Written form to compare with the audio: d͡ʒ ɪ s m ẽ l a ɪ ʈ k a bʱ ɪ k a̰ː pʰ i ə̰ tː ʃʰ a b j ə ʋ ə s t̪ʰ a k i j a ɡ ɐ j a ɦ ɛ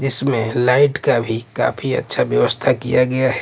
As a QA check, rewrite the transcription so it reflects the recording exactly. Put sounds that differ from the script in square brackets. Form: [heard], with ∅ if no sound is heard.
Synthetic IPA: d͡ʒ ɪ s m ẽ l a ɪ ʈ k a bʱ [i] k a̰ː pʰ i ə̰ tː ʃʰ a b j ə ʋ ə s t̪ʰ a k i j a ɡ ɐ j a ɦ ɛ